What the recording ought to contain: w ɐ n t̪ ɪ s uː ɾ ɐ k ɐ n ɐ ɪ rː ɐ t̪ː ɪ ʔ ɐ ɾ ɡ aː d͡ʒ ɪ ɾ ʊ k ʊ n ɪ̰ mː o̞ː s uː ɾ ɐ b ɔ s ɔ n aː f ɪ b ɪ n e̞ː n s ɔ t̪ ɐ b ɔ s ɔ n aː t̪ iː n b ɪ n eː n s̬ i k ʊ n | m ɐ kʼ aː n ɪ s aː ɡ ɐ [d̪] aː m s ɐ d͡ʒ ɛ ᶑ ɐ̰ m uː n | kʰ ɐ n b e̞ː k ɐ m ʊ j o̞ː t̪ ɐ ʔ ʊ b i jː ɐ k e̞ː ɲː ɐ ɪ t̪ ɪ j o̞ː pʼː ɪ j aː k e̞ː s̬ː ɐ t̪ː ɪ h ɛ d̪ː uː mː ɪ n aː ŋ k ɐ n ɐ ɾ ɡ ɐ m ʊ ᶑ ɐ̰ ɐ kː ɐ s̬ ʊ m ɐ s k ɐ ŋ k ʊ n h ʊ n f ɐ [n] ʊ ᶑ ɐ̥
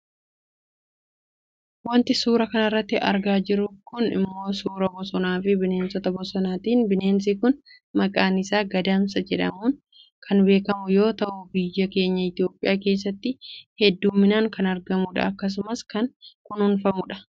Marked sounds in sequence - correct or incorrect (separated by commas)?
correct, incorrect